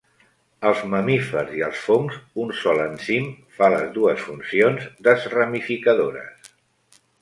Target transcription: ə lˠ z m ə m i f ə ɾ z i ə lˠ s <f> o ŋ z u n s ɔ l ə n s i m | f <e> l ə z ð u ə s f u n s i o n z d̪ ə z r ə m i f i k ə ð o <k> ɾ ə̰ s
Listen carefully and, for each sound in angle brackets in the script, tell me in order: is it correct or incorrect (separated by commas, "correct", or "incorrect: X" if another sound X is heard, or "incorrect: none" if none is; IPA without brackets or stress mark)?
correct, incorrect: a, incorrect: none